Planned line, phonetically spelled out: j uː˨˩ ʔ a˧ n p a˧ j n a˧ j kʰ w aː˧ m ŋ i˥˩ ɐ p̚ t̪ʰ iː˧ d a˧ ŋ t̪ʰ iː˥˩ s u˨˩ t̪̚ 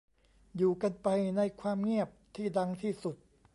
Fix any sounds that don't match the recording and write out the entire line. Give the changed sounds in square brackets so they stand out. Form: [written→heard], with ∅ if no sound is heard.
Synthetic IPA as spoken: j uː˨˩ [ʔ→k] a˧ n p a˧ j n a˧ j kʰ w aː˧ m ŋ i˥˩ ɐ p̚ t̪ʰ [iː˧→iː˥˩] d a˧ ŋ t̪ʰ iː˥˩ s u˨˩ t̪̚